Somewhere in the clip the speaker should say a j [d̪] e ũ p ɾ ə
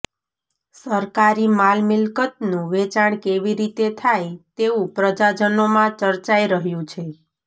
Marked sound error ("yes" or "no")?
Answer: yes